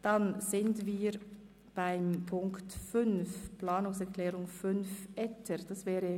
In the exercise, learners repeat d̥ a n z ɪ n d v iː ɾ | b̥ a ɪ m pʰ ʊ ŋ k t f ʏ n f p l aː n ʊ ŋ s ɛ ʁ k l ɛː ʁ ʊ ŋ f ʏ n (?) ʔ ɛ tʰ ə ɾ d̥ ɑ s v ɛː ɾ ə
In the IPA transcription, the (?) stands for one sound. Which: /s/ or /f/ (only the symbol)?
f